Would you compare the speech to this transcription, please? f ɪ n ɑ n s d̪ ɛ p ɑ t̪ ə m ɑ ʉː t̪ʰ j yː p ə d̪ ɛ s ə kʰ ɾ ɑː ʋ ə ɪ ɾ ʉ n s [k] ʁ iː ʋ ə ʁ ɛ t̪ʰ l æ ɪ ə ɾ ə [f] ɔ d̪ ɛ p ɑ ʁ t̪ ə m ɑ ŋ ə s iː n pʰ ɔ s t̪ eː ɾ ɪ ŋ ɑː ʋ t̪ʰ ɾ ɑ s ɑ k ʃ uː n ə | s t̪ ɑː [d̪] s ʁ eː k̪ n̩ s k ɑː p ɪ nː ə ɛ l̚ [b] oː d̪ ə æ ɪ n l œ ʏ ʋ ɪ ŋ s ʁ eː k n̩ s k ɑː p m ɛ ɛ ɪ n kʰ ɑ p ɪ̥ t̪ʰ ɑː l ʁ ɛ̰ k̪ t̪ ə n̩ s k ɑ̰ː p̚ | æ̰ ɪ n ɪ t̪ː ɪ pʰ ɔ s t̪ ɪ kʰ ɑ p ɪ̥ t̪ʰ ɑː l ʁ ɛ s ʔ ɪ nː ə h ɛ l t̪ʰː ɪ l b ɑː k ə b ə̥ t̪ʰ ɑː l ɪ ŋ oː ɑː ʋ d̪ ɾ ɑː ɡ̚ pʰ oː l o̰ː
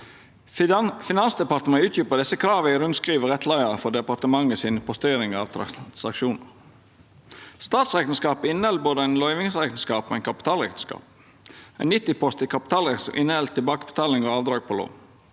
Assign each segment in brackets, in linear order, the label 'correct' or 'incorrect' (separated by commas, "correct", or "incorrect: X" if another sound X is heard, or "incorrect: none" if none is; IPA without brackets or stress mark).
correct, correct, incorrect: t̪, correct